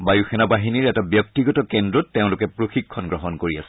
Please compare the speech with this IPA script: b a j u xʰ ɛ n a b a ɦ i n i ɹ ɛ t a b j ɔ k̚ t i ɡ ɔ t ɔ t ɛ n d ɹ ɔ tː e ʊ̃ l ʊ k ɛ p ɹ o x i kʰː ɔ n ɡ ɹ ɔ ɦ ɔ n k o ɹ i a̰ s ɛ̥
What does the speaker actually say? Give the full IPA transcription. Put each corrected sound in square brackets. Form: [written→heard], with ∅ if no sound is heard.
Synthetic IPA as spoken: b a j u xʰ ɛ n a b a ɦ i n i ɹ ɛ t a b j ɔ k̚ t i ɡ ɔ t ɔ [t→k] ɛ n d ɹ ɔ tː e ʊ̃ l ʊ k ɛ p ɹ o x i kʰː ɔ n ɡ ɹ ɔ ɦ ɔ n k o ɹ i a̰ s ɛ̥

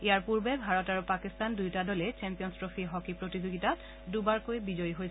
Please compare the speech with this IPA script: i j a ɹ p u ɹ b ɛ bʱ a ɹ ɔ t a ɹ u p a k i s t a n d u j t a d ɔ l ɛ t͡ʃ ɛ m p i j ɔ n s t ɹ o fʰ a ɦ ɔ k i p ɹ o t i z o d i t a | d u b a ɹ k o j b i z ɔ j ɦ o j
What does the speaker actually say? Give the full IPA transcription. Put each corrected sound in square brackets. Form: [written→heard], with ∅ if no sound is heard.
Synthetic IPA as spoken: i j a ɹ p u ɹ b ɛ bʱ a ɹ ɔ t a ɹ u p a k i s t a n d u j t a d ɔ l ɛ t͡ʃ ɛ m p i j ɔ n s t ɹ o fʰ [a→i] ɦ ɔ k i p ɹ o t i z o [d→ɡ] i t a | d u b a ɹ k o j b i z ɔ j ɦ o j

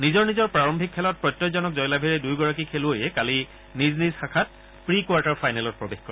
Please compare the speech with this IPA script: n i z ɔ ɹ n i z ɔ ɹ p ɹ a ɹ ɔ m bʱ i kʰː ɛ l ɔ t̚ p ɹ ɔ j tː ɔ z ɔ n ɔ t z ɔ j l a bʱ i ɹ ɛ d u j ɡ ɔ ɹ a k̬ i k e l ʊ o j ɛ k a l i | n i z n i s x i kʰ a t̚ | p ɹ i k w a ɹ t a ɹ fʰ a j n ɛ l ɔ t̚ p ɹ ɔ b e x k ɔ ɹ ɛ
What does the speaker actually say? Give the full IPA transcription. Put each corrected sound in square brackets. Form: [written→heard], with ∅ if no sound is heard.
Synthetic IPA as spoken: n i z ɔ ɹ n i z ɔ ɹ p ɹ a ɹ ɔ m bʱ i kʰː ɛ l ɔ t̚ p ɹ ɔ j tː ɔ z ɔ n ɔ [t→k] z ɔ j l a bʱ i ɹ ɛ d u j ɡ ɔ ɹ a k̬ i [k→kʰ] e l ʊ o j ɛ k a l i | n i z n i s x [i→a] kʰ a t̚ | p ɹ i k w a ɹ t a ɹ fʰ a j n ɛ l ɔ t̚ p ɹ ɔ b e x k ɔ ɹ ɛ

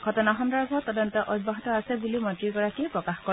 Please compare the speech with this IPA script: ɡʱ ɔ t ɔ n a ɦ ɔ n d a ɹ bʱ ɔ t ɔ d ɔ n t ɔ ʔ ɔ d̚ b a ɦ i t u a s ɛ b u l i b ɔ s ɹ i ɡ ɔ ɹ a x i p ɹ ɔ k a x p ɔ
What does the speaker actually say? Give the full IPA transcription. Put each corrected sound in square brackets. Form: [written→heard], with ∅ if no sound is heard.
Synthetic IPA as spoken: ɡʱ ɔ t ɔ n a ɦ ɔ n d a ɹ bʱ ɔ t ɔ d ɔ n t ɔ ʔ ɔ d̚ b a ɦ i t [u→ɔ] a s ɛ b u l i [b→m] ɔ [s→t] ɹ i ɡ ɔ ɹ a [x→k] i p ɹ ɔ k a x [p→k] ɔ

